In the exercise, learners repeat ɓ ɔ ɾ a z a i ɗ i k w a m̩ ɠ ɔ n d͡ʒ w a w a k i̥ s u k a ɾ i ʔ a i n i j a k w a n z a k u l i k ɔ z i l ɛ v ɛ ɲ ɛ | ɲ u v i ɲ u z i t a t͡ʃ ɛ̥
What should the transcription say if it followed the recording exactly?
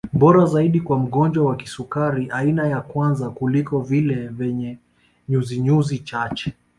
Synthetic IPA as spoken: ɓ ɔ ɾ a z a i ɗ i k w a m̩ ɠ ɔ n d͡ʒ w a w a k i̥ s u k a ɾ i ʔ a i n a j a k w a n z a k u l i k ɔ v i l ɛ v ɛ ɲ ɛ | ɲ u z i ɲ u z i t͡ʃ a t͡ʃ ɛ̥